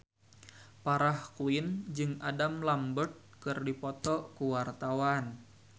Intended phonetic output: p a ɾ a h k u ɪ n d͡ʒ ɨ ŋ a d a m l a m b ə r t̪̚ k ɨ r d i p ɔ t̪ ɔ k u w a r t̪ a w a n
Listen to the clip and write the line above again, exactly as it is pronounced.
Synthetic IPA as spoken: p a ɾ a h k u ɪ n d͡ʒ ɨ ŋ a d a m l a m b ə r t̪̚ k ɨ r d i p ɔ t̪ ɔ k u w a r t̪ a w a n